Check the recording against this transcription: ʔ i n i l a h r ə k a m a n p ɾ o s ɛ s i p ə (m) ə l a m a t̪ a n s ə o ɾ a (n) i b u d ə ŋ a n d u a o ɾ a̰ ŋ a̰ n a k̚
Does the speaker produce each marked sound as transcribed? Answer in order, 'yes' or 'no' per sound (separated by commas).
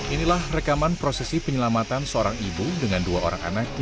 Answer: no, no